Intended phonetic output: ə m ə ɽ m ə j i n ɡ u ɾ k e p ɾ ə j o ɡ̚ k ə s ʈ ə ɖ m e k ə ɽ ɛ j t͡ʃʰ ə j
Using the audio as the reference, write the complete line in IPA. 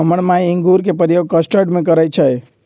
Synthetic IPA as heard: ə m ə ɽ m a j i ŋ ɡ u ɾ k e p ɾ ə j o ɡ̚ k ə s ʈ ə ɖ m e k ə ɾ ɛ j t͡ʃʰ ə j